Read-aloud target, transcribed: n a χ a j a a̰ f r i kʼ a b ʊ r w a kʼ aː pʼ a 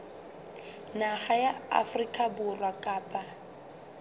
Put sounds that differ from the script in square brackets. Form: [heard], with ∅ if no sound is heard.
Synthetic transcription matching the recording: n a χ a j a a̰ f r i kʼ a b ʊ r w a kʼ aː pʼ a